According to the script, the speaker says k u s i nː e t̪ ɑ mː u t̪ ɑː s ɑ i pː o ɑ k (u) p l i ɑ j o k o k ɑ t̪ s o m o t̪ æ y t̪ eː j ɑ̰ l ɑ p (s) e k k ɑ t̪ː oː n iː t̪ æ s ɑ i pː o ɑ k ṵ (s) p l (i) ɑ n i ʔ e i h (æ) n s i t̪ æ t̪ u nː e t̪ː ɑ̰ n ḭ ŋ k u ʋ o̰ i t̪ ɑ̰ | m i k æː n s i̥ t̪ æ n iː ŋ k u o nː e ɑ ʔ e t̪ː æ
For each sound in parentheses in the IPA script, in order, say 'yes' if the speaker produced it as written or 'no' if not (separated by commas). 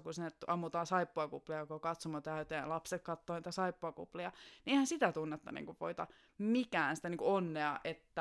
yes, yes, no, yes, yes